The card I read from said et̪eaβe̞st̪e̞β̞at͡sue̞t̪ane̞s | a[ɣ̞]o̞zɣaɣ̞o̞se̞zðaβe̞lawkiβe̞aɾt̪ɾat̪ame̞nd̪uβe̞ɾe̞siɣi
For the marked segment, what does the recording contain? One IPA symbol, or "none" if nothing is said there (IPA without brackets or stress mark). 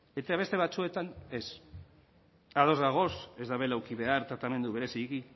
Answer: ð̞